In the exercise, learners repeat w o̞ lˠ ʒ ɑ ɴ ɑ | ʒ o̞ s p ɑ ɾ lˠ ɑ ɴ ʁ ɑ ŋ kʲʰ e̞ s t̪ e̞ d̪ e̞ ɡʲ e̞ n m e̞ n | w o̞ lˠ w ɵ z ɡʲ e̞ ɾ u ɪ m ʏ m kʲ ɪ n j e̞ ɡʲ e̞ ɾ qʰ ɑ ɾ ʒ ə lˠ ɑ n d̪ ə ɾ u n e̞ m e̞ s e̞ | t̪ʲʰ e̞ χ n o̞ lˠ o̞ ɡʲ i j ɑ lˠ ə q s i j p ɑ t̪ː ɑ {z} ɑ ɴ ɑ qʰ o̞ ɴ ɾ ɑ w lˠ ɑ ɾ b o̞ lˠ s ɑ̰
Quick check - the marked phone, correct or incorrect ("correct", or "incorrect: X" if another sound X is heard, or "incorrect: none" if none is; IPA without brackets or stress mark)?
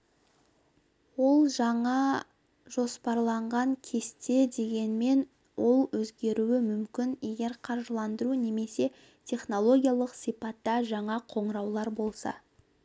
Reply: incorrect: ʒ